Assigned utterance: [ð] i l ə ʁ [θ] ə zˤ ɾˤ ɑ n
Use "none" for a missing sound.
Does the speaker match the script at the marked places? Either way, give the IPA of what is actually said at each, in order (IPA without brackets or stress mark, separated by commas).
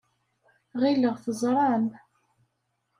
ʁ, θ